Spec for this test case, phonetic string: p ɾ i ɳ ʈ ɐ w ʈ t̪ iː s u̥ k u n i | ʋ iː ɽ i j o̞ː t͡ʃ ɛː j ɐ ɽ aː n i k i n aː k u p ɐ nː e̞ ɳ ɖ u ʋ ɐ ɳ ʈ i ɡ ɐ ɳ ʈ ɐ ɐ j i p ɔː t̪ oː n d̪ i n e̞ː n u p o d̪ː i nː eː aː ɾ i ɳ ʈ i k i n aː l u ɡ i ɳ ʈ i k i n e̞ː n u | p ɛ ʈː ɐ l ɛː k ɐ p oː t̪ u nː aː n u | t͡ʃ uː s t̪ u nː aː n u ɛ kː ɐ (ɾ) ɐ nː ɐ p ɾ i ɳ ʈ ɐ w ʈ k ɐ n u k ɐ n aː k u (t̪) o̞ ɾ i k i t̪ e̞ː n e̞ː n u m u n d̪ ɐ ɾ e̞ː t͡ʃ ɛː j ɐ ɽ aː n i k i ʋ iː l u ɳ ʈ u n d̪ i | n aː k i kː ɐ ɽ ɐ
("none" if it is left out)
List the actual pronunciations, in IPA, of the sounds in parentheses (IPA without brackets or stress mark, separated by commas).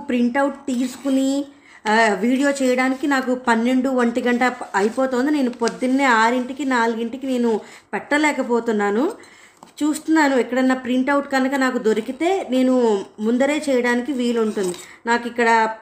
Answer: ɽ, d̪